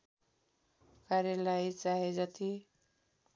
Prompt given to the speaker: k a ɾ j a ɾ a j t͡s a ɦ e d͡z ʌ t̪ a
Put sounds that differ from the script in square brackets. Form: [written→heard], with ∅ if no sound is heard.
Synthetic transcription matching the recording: k a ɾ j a [ɾ→l] a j t͡s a ɦ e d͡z ʌ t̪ [a→i]